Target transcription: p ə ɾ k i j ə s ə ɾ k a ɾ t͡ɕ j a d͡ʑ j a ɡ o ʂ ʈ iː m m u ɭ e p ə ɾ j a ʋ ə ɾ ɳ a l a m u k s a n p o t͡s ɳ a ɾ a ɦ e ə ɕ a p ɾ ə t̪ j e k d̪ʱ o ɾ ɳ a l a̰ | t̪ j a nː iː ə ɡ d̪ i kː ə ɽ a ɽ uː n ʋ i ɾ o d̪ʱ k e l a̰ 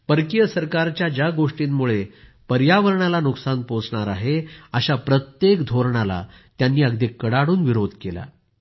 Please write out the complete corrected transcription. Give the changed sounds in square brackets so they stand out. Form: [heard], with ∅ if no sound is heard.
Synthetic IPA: p ə ɾ k i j ə s ə ɾ k a ɾ t͡ɕ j a d͡ʑ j a ɡ o ʂ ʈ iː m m u ɭ e p ə ɾ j a ʋ ə ɾ ɳ a l a [n] u k s a n p o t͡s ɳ a ɾ a ɦ e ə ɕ a p ɾ ə t̪ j e k d̪ʱ o ɾ ɳ a l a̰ | t̪ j a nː iː ə ɡ d̪ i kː ə ɽ a ɽ uː n ʋ i ɾ o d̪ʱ k e l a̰